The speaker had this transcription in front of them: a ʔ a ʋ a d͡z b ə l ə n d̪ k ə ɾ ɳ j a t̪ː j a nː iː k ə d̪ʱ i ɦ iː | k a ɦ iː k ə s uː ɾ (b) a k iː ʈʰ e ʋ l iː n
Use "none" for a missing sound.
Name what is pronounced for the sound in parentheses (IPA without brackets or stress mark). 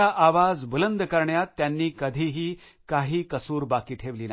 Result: b